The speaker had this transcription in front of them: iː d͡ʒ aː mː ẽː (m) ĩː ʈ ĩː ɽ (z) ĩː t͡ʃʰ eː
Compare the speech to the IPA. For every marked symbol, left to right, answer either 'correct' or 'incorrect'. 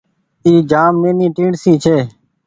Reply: incorrect: n, incorrect: s

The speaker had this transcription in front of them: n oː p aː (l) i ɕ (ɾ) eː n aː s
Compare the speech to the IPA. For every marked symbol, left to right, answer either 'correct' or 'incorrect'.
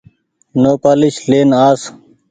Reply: correct, incorrect: l

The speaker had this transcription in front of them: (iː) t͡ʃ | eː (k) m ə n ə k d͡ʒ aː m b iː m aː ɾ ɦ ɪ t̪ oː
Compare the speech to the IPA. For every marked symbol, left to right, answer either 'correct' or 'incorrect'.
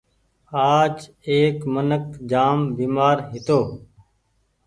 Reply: incorrect: aː, correct

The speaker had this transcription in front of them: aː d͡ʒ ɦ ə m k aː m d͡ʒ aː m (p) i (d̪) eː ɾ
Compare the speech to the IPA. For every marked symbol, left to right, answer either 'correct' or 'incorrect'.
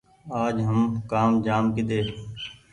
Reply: incorrect: k, correct

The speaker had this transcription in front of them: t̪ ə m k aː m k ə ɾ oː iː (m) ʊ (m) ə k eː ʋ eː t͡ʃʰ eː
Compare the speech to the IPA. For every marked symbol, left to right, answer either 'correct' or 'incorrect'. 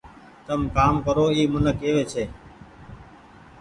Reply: correct, incorrect: n

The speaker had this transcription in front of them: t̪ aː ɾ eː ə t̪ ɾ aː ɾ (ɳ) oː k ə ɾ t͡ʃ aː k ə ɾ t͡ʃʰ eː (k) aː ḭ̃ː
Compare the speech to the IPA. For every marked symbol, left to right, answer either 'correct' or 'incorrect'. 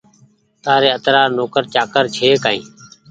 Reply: incorrect: n, correct

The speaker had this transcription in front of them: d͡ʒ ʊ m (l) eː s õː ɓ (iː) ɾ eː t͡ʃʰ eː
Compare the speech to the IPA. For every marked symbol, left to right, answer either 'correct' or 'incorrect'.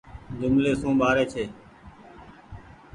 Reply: correct, incorrect: aː

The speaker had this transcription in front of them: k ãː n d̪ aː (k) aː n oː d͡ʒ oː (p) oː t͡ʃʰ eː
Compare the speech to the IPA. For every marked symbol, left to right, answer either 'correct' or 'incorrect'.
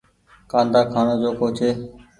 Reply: incorrect: kʰ, incorrect: k

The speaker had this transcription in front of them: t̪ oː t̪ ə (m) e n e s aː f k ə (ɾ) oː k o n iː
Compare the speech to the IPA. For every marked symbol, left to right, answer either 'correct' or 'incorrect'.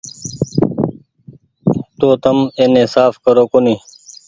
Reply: correct, correct

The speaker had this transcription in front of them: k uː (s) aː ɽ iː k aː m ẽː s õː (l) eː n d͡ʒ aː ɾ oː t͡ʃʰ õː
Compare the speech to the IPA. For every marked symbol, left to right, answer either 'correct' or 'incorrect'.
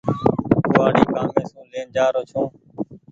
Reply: incorrect: none, correct

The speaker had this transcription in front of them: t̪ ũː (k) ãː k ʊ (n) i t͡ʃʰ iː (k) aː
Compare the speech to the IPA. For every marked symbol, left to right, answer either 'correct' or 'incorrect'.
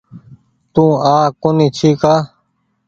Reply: incorrect: none, correct, correct

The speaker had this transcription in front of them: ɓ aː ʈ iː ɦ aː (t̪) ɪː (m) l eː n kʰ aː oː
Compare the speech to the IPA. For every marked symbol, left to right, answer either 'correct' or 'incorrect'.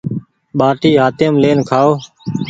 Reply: correct, correct

